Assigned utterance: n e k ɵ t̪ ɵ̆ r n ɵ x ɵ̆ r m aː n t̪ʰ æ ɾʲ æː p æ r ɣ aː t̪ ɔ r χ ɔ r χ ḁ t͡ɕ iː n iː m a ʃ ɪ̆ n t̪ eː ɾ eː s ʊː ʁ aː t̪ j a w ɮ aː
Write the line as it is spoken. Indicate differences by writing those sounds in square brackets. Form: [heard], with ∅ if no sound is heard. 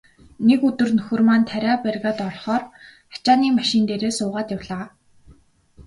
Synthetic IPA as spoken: n e k ɵ t̪ ɵ̆ r n ɵ x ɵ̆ r m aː n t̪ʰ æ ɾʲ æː p æ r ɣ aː t̪ ɔ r χ [ɔː] r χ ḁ t͡ɕ [aː] n iː m a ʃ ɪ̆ n t̪ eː ɾ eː s ʊː ʁ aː t̪ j a w ɮ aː